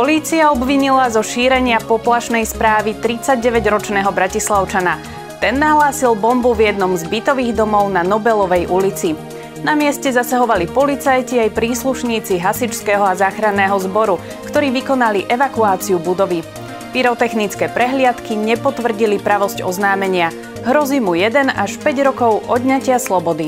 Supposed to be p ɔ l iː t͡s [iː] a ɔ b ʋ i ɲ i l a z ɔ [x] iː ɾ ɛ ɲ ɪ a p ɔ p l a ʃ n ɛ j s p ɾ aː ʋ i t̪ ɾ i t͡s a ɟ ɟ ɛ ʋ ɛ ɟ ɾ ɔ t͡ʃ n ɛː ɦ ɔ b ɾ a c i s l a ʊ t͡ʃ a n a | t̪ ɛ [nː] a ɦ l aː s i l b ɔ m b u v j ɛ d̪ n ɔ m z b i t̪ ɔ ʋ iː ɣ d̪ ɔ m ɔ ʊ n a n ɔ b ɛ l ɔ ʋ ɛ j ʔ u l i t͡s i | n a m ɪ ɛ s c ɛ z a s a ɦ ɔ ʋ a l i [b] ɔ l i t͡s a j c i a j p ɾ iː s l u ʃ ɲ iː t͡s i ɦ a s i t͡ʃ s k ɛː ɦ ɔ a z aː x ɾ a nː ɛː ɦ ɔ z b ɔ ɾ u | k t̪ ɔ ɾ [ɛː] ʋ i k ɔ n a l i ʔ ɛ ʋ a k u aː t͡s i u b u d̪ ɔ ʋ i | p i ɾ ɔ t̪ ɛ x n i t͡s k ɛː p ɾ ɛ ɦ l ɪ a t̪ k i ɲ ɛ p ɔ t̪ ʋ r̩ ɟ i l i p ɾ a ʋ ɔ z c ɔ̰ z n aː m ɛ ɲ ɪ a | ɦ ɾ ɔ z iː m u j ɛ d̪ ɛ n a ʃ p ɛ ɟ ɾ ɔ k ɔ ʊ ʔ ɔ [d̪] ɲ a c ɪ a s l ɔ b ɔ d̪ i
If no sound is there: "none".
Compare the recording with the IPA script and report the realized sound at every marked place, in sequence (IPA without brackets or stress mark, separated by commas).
i, ʃ, nː, p, iː, d̪